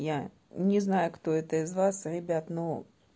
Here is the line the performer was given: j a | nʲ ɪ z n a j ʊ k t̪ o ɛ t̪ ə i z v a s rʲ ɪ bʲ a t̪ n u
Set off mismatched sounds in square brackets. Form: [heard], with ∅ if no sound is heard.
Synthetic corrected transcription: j a | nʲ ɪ z n a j ʊ k t̪ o ɛ t̪ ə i z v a s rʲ ɪ bʲ a t̪ n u